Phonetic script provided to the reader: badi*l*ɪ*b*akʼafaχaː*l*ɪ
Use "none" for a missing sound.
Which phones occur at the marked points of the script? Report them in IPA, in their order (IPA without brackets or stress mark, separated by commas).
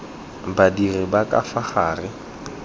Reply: r, b, r